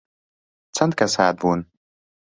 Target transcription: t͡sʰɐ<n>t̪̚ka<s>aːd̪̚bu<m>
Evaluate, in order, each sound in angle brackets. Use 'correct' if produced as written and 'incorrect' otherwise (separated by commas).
correct, correct, incorrect